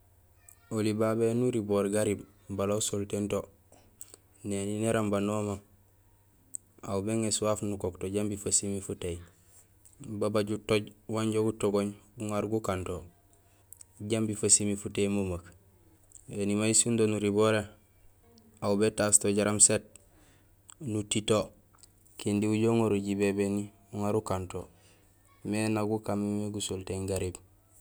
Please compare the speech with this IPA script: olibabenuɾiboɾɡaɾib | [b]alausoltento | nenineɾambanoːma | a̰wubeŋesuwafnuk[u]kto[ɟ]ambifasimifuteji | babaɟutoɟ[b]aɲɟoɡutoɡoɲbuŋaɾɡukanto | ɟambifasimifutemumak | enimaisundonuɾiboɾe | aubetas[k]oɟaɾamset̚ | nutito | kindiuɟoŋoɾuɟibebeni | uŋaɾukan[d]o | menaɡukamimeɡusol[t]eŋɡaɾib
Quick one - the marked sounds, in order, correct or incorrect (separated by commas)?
correct, incorrect, correct, incorrect, incorrect, incorrect, correct